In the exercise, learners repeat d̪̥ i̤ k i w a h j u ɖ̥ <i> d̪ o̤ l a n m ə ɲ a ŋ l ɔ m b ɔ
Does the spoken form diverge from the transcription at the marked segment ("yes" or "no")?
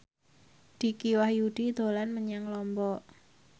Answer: no